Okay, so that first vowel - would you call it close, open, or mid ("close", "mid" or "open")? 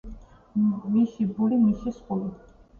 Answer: close